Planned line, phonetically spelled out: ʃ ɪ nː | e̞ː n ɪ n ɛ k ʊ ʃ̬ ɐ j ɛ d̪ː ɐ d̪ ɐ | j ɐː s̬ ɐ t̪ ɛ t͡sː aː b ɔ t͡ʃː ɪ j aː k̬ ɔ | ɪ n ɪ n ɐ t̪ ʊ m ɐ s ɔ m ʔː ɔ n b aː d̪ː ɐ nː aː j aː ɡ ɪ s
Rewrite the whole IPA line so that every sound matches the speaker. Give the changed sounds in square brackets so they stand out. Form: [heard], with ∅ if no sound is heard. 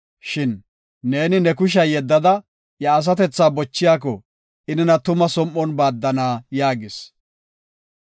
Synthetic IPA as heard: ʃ ɪ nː | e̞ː n ɪ n ɛ k ʊ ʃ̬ ɐ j ɛ d̪ː ɐ d̪ ɐ | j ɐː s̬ ɐ t̪ ɛ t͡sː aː b ɔ t͡ʃː ɪ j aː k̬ ɔ | ɪ n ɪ n ɐ t̪ ʊ m ɐ s ɔ m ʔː ɔ n b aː d̪ː ɐ [n] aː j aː ɡ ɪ s